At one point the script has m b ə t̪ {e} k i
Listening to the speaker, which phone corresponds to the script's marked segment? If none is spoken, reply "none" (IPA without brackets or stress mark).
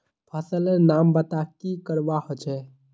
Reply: a